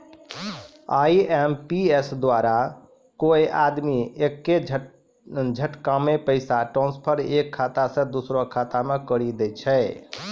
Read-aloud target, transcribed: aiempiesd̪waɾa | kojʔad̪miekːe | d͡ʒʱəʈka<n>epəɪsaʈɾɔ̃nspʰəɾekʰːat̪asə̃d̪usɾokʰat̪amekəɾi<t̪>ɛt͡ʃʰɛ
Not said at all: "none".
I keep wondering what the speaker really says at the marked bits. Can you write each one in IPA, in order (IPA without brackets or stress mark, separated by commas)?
m, d̪